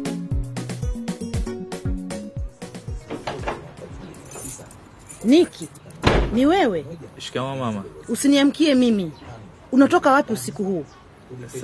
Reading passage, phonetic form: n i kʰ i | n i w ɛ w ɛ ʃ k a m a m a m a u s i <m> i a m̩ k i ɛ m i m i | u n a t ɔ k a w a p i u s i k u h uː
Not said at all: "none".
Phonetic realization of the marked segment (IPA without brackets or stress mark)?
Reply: n